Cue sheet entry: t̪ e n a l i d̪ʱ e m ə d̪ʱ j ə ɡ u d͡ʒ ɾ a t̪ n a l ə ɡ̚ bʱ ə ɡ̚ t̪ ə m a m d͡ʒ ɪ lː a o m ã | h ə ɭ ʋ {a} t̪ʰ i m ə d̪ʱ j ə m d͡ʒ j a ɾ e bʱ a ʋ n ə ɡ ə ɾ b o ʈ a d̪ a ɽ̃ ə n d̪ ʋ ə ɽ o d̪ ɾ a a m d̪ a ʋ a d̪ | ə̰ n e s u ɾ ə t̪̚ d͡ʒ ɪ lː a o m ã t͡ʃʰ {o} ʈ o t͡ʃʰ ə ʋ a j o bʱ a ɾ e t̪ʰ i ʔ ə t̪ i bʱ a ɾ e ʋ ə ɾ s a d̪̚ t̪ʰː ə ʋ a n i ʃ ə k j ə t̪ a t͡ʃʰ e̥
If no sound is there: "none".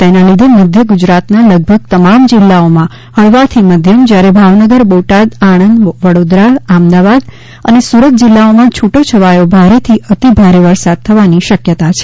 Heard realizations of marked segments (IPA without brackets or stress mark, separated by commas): a, u